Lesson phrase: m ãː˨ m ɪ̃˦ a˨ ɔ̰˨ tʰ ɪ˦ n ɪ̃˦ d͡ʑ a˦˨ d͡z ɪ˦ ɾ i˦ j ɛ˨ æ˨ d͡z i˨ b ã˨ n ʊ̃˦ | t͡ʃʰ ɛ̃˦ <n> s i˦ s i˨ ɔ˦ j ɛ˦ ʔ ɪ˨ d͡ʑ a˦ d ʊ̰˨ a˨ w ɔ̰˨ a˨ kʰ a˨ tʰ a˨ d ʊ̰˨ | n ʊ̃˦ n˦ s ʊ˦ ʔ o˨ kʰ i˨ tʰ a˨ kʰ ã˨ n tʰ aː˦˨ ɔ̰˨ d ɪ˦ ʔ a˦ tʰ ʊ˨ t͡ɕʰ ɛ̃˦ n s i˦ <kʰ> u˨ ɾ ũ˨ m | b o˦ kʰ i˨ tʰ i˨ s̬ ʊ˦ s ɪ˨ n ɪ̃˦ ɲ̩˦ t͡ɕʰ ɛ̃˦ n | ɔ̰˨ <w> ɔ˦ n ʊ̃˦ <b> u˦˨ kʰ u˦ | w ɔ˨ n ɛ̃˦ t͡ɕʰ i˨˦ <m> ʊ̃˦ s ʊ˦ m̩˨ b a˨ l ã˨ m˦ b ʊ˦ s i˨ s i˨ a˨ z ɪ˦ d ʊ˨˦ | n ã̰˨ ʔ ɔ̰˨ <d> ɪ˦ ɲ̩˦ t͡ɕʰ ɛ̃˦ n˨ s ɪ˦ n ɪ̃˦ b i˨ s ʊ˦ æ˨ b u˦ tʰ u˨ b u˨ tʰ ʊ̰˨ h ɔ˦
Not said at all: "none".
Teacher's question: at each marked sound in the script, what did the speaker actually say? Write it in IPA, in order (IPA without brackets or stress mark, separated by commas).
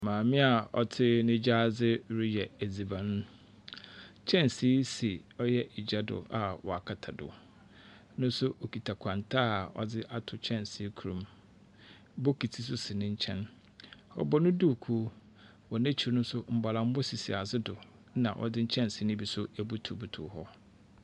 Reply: n, kʰ, b, d, n, d